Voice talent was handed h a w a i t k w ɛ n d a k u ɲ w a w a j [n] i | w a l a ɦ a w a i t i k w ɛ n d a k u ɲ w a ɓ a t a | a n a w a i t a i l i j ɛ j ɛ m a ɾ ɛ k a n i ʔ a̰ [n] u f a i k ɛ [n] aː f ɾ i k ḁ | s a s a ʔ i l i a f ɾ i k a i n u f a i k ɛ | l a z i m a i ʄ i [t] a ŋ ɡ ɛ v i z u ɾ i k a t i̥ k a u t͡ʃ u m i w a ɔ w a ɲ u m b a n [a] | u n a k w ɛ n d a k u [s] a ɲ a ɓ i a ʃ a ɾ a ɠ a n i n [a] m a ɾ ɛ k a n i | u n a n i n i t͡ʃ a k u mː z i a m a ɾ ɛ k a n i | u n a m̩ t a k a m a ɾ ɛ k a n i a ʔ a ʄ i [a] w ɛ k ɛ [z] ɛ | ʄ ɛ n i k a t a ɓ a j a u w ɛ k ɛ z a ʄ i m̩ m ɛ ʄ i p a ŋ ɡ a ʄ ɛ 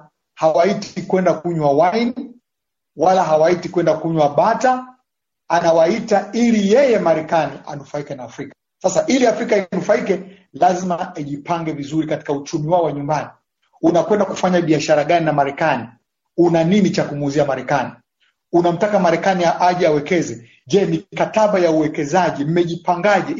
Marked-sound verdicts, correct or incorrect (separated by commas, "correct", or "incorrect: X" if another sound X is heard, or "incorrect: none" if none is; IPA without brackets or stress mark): correct, correct, correct, incorrect: p, incorrect: i, incorrect: f, correct, correct, correct